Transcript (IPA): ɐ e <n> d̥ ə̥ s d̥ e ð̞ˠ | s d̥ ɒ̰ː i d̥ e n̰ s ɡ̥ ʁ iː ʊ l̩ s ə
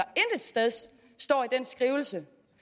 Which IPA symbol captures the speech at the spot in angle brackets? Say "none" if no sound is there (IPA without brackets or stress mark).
n